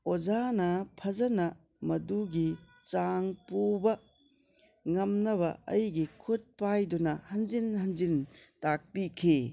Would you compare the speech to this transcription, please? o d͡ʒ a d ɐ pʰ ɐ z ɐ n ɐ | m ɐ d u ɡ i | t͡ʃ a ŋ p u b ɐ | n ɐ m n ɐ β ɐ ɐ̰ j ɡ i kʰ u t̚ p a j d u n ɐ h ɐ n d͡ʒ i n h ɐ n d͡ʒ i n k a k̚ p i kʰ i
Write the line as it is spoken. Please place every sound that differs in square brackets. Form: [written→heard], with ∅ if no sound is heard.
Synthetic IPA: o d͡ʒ a [d→n] ɐ pʰ ɐ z ɐ n ɐ | m ɐ d u ɡ i | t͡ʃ a ŋ p u b ɐ | [n→ŋ] ɐ m n ɐ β ɐ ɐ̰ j ɡ i kʰ u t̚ p a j d u n ɐ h ɐ n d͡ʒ i n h ɐ n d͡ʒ i n [k→t] a k̚ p i kʰ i